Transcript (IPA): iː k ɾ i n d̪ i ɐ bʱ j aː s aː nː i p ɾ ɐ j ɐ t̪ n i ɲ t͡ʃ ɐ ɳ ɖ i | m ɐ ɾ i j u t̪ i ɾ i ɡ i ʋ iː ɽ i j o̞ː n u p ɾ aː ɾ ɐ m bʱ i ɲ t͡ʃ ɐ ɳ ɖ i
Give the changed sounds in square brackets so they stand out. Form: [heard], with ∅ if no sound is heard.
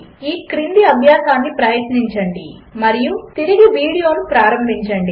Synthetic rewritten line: iː k ɾ i n d̪ i ɐ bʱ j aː s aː nː i p ɾ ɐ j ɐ t̪ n i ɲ t͡ʃ ɐ ɳ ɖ i | m ɐ ɾ i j u t̪ i ɾ i ɡ i ʋ iː ɽ i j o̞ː n u p ɾ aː ɾ ɐ m bʱ i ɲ t͡ʃ ɐ ɳ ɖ i